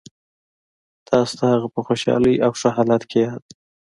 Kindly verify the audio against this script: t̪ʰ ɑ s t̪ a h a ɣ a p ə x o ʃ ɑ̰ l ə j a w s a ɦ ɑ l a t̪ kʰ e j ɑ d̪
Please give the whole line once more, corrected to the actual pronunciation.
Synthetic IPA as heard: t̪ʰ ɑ s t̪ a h a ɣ a p ə x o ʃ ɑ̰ l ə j a w ʂ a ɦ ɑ l a t̪ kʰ e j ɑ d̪